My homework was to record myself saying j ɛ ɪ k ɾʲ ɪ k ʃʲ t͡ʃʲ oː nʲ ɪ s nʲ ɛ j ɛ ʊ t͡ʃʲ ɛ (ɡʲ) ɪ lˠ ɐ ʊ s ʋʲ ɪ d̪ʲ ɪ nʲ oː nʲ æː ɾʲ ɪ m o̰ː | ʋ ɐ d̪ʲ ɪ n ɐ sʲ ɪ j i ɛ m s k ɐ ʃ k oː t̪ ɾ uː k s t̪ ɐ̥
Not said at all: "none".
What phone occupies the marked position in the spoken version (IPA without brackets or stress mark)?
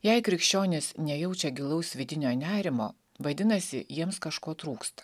ɡʲ